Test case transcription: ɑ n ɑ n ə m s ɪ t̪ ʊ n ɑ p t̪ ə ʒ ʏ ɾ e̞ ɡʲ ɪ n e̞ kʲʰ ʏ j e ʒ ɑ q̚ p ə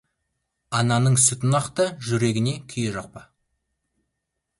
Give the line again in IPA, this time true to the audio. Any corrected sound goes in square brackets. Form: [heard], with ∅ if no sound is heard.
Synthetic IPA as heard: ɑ n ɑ n ə [ɴ] s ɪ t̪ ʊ n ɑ [q] t̪ ə ʒ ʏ ɾ e̞ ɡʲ ɪ n e̞ kʲʰ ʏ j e ʒ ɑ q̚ p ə